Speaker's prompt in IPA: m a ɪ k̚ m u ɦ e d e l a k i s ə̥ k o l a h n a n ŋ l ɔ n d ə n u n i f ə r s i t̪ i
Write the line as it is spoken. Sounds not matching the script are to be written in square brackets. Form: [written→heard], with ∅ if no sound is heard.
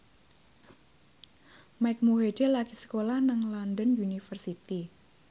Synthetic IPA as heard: m a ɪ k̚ m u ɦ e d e l a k i s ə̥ k o l a h n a [n→∅] ŋ l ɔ n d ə n u n i f ə r s i t̪ i